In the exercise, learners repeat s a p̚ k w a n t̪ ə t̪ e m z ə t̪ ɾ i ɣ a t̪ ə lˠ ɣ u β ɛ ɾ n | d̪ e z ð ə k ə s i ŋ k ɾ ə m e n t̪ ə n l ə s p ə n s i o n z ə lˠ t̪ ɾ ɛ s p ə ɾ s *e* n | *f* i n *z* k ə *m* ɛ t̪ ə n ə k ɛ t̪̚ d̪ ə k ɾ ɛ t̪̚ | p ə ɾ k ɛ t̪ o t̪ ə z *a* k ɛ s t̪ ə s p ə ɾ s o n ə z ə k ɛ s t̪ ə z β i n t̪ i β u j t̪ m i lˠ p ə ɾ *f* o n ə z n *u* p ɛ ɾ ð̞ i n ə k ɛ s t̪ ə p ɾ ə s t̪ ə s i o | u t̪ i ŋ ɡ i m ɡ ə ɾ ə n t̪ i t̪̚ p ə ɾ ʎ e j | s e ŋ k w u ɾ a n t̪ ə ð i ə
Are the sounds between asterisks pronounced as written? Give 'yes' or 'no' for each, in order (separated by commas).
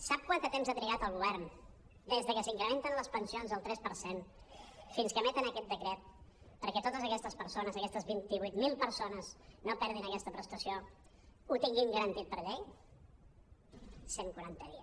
yes, yes, no, yes, no, no, no